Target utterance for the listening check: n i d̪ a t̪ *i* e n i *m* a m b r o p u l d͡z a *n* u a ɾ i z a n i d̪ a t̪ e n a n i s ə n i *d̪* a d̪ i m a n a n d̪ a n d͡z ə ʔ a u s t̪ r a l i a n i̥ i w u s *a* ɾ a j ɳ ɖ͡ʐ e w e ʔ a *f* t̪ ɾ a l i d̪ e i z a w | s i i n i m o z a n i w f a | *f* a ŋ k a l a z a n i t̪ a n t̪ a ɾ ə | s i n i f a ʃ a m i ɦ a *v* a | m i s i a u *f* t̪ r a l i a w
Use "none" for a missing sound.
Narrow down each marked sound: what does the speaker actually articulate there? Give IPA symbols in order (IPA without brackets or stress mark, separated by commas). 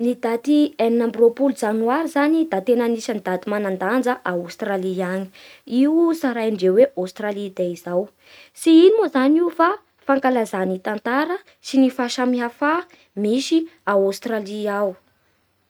i, n, n, d̪, a, s, f, f, s